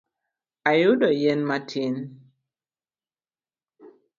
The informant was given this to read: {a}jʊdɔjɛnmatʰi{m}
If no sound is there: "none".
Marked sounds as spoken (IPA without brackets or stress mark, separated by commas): a, n